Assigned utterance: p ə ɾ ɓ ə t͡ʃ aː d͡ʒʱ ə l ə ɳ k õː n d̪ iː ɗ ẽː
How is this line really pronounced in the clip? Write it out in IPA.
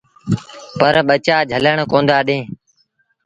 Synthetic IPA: p ə ɾ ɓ ə t͡ʃ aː d͡ʒʱ ə l ə ɳ k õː n d̪ aː ɗ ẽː